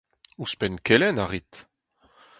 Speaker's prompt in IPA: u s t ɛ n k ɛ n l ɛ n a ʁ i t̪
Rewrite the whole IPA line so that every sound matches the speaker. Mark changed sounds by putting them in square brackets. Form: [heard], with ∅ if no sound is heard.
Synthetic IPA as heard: u s [p] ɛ n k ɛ [∅] l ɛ n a ʁ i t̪